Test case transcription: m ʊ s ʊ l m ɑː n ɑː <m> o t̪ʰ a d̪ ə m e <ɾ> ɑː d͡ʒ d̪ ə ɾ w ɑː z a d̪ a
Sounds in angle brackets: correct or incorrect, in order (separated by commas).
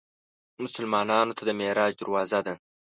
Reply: incorrect, correct